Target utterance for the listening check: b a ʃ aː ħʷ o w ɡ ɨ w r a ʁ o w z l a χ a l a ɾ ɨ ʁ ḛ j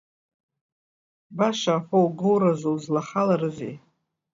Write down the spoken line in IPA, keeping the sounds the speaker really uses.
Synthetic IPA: b a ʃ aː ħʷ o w ɡ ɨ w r a z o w z l a χ a l a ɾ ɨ z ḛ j